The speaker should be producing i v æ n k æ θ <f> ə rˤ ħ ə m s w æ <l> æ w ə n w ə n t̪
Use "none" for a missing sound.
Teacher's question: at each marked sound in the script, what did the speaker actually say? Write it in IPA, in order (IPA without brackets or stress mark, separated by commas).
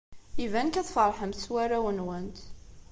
f, ɾ